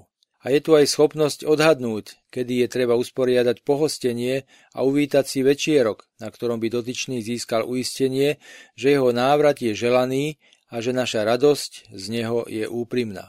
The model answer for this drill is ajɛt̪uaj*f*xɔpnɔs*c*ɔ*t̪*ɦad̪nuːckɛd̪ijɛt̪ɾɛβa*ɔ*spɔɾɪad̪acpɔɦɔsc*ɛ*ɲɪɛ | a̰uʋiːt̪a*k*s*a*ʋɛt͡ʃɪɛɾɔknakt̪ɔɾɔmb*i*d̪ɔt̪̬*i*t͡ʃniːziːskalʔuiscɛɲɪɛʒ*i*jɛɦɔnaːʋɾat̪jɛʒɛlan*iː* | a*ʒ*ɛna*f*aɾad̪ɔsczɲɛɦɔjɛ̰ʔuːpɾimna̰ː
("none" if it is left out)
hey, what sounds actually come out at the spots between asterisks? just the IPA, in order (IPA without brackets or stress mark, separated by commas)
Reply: s, c, d̪, u, ɛ, c, i, i, i, ɛ, iː, ʒ, ʃ